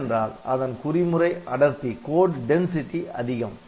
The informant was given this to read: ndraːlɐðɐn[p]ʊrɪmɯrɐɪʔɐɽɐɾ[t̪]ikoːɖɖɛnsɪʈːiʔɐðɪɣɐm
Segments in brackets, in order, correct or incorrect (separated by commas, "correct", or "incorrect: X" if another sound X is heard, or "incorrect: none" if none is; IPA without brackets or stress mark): incorrect: k, correct